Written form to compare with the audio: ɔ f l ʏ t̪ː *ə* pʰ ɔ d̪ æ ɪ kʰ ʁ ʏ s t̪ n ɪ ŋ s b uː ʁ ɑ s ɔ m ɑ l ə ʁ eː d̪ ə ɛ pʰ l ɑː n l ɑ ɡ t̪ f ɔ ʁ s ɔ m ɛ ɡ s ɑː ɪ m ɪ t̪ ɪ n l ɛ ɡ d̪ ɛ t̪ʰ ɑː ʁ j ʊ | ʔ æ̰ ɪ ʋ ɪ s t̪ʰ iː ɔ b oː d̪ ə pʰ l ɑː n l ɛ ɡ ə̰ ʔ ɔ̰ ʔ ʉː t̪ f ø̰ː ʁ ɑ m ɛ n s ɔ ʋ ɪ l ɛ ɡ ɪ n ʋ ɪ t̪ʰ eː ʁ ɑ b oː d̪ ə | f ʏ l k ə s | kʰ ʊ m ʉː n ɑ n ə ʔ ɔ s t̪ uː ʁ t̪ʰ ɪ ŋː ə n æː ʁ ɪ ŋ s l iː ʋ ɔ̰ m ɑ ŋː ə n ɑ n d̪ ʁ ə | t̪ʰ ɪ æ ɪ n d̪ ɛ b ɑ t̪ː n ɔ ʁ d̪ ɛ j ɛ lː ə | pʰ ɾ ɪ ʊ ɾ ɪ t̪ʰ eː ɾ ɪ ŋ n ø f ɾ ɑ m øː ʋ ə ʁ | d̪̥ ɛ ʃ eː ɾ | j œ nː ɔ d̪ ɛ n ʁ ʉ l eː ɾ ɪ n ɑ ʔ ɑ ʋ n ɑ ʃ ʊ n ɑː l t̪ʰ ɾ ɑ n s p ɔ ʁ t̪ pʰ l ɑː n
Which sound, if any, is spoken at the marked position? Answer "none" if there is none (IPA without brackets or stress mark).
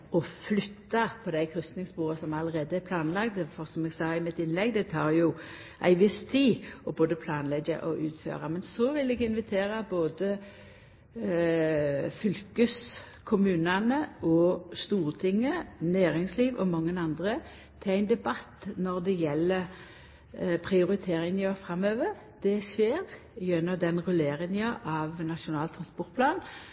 ɑ